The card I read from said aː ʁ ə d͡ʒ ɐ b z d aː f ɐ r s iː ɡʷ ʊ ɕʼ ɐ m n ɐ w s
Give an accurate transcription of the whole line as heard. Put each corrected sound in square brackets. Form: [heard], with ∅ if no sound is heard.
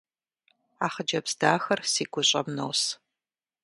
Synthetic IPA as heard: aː [χ] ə d͡ʒ ɐ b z d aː [x] ɐ r s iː ɡʷ ʊ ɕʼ ɐ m n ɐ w s

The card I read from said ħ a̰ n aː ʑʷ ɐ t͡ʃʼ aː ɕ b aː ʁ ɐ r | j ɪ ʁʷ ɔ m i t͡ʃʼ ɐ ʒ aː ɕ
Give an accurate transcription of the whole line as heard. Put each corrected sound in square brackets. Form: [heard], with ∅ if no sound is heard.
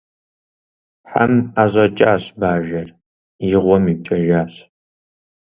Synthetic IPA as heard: ħ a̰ [m] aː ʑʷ ɐ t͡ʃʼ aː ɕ b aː [ʒ] ɐ r | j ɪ ʁʷ ɔ m i t͡ʃʼ ɐ ʒ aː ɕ

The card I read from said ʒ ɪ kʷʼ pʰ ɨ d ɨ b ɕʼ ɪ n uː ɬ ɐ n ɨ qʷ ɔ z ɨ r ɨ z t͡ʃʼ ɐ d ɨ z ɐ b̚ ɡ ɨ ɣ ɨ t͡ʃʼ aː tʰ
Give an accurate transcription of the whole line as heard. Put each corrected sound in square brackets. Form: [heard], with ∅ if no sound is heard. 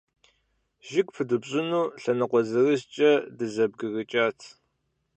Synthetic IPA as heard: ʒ ɪ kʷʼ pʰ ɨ d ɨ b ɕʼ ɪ n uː ɬ ɐ n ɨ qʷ ɔ z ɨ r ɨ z t͡ʃʼ ɐ d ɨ z ɐ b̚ ɡ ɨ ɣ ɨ t͡ʃʼ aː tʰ

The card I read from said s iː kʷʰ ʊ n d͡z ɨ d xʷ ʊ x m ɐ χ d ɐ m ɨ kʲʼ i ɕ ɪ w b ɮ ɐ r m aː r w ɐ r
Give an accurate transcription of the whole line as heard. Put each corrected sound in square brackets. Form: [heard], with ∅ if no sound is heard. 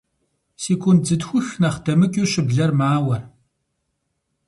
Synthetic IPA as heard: s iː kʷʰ ʊ n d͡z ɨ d xʷ ʊ x [n] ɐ χ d ɐ m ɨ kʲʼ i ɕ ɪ [∅] b ɮ ɐ r m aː [∅] w ɐ r

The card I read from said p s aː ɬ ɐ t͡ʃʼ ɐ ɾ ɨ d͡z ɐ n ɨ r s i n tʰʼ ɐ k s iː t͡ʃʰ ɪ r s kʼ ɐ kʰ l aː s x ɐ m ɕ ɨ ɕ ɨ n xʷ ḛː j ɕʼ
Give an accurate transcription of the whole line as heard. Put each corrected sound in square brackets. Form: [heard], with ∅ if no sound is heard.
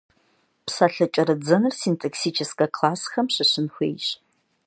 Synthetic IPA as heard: p s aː ɬ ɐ t͡ʃʼ ɐ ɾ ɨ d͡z ɐ n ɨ r s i n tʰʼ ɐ k s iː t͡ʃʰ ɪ [∅] s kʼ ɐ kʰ l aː s x ɐ m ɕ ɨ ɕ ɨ n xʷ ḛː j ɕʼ

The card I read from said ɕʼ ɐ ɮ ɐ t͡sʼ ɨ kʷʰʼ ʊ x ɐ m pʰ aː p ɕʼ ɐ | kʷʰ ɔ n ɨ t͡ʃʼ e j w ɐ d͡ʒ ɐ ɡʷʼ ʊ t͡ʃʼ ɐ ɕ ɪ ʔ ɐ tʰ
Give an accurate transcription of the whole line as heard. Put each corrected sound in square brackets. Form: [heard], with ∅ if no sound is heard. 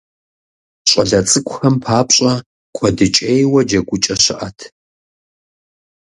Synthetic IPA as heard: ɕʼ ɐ ɮ ɐ t͡sʼ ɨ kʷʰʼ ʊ x ɐ m pʰ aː p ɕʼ ɐ | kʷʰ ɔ [d] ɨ t͡ʃʼ e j w ɐ d͡ʒ ɐ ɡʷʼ ʊ t͡ʃʼ ɐ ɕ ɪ ʔ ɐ tʰ

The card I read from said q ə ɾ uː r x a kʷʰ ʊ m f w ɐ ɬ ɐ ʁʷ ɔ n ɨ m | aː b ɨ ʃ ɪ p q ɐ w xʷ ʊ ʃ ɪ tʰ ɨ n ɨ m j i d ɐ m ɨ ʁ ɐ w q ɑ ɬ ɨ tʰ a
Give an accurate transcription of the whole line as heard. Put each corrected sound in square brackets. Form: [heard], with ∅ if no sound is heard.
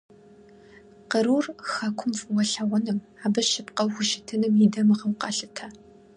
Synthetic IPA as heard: q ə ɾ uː r x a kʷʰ ʊ m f w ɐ ɬ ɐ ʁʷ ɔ n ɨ m | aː b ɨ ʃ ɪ p q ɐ w xʷ ʊ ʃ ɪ tʰ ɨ n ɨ m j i d ɐ m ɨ ʁ ɐ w q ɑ ɬ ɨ tʰ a

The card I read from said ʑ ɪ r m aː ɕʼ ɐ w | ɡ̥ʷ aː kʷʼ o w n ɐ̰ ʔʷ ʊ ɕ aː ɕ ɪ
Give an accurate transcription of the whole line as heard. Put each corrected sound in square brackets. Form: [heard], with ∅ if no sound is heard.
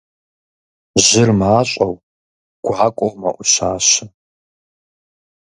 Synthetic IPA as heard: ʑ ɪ r m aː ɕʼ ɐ w | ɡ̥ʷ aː kʷʼ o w [m] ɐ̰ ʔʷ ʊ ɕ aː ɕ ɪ

